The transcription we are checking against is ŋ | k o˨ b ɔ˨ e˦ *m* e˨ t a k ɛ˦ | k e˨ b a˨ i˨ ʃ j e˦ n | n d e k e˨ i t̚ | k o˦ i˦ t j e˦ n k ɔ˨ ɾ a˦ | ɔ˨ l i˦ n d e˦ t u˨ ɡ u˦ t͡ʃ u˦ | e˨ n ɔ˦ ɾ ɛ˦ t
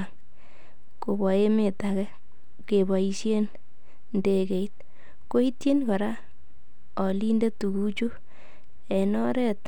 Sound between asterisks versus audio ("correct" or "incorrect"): correct